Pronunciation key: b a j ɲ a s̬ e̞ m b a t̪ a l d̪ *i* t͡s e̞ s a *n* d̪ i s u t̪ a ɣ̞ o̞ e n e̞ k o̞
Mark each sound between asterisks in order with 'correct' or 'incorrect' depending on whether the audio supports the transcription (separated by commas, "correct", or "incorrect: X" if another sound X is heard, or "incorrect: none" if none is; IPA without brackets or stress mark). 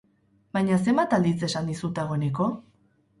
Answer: correct, correct